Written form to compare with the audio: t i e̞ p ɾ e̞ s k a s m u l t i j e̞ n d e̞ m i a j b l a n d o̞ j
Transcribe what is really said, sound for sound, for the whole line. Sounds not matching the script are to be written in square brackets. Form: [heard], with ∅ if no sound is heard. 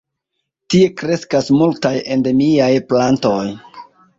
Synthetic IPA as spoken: t i e̞ [k] ɾ e̞ s k a s m u l t [a] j e̞ n d e̞ m i a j [p] l a n [t] o̞ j

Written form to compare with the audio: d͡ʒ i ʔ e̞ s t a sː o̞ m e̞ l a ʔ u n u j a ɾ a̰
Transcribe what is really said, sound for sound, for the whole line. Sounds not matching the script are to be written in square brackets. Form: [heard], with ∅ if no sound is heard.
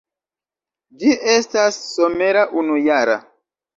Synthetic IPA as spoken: d͡ʒ i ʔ e̞ s t a sː o̞ m e̞ [ɾ] a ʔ u n u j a ɾ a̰

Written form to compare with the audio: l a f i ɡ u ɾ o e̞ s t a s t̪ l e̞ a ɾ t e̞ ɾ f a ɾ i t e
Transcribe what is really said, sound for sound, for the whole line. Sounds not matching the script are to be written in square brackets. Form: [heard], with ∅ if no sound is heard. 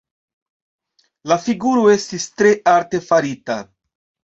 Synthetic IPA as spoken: l a f i ɡ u ɾ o e̞ s t [i] s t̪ [ɾ] e̞ a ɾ t e̞ [∅] f a ɾ i t [a]

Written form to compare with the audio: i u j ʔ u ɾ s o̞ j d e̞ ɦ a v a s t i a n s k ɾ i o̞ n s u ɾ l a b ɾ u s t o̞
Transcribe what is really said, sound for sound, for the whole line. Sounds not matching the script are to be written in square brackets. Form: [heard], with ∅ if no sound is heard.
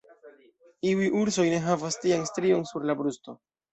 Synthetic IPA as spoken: i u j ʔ u ɾ s o̞ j [n] e̞ ɦ a v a s t i a n s [t] ɾ i o̞ n s u ɾ l a b ɾ u s t o̞

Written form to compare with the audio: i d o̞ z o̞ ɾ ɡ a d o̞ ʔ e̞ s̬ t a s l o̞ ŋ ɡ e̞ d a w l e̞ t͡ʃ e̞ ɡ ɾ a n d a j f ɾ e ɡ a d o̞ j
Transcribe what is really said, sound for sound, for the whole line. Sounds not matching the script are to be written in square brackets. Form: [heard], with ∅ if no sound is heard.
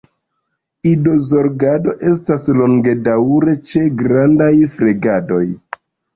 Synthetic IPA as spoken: i d o̞ z o̞ ɾ ɡ a d o̞ ʔ e̞ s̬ t a s l o̞ ŋ ɡ e̞ d a w [ɾ] e̞ t͡ʃ e̞ ɡ ɾ a n d a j f ɾ e ɡ a d o̞ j

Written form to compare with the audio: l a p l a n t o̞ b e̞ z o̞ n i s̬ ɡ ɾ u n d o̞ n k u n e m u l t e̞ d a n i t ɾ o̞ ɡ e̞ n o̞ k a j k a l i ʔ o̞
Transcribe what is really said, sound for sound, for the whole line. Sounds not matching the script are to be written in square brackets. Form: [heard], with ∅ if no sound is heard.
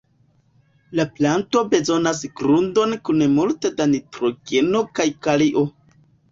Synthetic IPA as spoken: l a p l a n t o̞ b e̞ z o̞ n [a] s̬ ɡ ɾ u n d o̞ n k u n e m u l t e̞ d a n i t ɾ o̞ ɡ e̞ n o̞ k a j k a l i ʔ o̞

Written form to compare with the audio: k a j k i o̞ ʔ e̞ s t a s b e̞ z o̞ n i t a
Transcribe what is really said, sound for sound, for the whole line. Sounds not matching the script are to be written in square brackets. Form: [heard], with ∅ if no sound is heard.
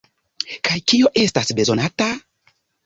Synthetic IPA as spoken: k a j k i o̞ ʔ e̞ s t a s b e̞ z o̞ n [a] t a

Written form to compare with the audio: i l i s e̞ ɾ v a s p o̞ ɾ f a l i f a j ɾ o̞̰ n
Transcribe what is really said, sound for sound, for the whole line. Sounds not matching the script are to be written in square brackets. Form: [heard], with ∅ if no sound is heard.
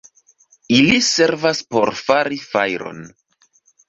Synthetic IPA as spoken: i l i s e̞ ɾ v a s p o̞ ɾ f a [ɾ] i f a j ɾ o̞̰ n

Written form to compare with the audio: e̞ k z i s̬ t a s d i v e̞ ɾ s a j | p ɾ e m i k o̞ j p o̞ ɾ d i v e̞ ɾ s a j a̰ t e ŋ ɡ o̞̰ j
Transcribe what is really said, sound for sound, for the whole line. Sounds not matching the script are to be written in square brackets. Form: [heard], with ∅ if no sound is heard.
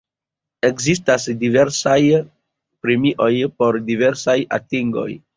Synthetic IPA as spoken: e̞ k z i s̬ t a s d i v e̞ ɾ s a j | p ɾ e m i [ʔ] o̞ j p o̞ ɾ d i v e̞ ɾ s a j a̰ t [i] ŋ ɡ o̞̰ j

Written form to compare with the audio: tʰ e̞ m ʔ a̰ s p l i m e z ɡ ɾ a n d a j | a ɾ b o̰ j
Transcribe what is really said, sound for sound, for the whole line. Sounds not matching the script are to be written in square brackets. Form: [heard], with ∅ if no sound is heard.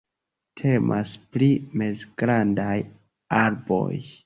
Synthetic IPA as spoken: tʰ e̞ m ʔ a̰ s p l i m e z ɡ ɾ a n d a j | a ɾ b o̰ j

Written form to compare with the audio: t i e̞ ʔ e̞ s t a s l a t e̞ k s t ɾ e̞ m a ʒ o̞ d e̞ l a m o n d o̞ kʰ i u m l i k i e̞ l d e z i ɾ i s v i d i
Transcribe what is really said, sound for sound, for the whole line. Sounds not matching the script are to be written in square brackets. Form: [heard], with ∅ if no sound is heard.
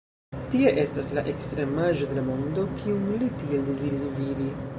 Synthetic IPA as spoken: t i e̞ ʔ e̞ s t a s l a [ʔ] e̞ k s t ɾ e̞ m a ʒ o̞ d e̞ l a m o n d o̞ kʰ i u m l i [t] i e̞ l d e z i ɾ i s v i d i

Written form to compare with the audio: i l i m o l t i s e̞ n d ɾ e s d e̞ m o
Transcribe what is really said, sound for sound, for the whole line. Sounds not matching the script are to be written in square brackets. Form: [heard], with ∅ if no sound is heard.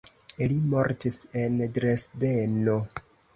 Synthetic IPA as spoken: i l i m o [ɾ] t i s e̞ n d ɾ e s d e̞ [n] o

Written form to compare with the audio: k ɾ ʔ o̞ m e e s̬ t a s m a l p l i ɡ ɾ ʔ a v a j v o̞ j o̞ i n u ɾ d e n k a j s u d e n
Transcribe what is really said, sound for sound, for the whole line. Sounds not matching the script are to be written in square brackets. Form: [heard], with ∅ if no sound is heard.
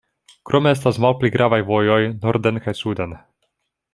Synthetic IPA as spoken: k ɾ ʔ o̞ m e e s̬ t a s m a l p l i ɡ ɾ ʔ a v a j v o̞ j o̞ [j] n [o] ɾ d e n k a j s u d e n

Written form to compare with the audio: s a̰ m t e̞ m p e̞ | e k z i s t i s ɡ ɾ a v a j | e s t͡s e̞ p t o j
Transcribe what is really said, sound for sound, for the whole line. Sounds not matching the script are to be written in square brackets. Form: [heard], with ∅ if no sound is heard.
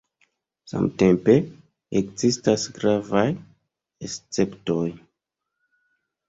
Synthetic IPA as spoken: s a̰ m t e̞ m p e̞ | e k z i s t [a] s ɡ ɾ a v a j | e s t͡s e̞ p t o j

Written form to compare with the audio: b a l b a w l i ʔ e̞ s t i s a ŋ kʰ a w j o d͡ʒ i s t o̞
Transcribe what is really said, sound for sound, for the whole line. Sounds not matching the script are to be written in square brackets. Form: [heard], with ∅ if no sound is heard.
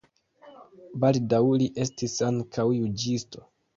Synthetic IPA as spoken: b a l [d] a w l i ʔ e̞ s t i s a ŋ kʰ a w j [u] d͡ʒ i s t o̞

